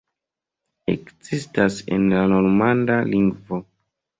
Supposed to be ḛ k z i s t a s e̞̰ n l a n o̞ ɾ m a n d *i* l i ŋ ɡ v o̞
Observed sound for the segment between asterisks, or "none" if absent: a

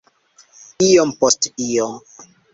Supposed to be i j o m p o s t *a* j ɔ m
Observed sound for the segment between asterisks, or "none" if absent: i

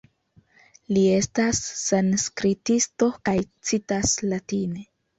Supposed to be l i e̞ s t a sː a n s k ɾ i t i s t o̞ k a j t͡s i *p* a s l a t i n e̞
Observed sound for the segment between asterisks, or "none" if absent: t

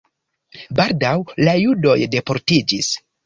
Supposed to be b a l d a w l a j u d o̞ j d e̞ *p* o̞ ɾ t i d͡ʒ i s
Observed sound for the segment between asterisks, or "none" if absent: p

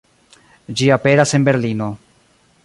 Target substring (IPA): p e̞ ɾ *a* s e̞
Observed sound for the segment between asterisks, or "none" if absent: a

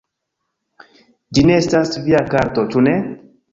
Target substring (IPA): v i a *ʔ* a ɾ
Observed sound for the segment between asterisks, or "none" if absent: k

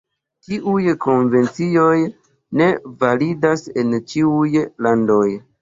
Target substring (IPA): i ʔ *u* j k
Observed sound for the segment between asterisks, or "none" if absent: u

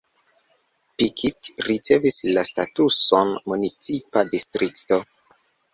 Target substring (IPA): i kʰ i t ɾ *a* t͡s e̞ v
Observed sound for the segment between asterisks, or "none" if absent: i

